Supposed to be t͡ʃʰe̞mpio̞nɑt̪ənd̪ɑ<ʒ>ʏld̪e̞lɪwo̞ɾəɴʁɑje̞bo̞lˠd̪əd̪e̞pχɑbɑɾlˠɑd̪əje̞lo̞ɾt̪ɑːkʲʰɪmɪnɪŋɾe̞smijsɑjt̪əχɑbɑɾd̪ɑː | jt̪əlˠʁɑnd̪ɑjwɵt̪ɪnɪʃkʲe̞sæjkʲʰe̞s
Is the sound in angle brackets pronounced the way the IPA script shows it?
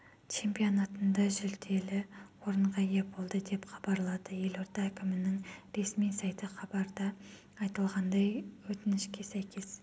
yes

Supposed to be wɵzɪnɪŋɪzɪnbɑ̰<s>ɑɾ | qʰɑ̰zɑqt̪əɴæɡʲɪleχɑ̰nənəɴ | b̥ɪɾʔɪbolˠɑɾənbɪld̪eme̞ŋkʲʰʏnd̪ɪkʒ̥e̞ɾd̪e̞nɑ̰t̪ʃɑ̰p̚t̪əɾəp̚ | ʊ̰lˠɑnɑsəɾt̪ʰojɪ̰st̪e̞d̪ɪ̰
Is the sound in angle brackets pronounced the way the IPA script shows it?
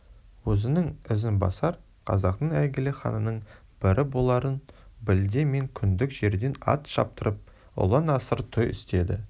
yes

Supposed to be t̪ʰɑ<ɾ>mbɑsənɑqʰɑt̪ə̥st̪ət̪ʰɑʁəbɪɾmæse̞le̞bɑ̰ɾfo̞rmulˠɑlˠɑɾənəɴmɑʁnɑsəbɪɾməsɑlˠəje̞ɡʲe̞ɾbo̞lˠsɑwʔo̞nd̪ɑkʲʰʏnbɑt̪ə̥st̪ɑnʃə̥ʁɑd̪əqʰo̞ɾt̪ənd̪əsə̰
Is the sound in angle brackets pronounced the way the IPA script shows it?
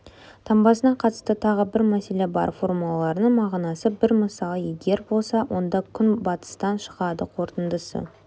no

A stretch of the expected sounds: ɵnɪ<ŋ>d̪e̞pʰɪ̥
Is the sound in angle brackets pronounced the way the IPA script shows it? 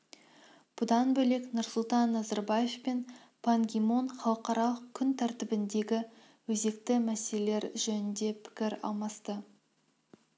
no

